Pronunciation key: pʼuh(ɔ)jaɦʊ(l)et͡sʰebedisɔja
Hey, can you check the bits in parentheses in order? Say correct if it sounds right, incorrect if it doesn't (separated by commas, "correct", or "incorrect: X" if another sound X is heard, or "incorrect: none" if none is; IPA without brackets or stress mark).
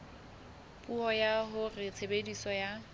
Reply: correct, incorrect: r